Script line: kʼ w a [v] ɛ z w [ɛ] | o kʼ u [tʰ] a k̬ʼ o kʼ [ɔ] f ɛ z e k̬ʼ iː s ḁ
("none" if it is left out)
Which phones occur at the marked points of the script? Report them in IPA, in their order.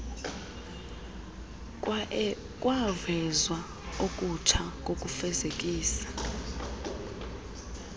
v, a, tʰ, u

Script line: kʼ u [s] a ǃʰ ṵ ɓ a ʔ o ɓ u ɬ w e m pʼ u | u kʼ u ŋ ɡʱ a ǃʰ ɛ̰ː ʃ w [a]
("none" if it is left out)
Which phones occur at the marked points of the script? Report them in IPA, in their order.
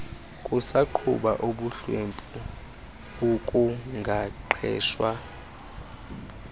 s, a

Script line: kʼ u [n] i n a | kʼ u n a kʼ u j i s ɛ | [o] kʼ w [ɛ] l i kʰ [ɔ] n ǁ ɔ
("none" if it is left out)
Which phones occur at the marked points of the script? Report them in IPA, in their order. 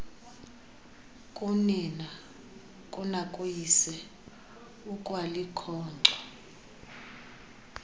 n, u, a, ɔː

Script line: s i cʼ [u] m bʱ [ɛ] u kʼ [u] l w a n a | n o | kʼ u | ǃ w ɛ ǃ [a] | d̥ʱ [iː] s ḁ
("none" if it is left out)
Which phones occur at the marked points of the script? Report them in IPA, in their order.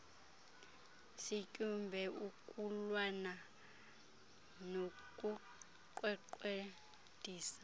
u, ɛ, u, e, iː

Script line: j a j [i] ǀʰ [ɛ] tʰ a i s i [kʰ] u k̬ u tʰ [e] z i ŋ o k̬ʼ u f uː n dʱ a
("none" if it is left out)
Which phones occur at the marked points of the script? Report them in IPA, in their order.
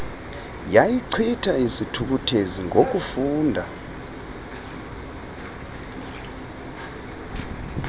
i, i, tʰ, e

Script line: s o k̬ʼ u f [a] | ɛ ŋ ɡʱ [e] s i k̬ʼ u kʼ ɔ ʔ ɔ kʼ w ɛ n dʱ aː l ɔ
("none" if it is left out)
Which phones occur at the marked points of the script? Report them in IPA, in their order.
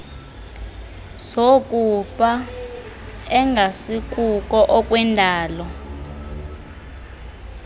a, a

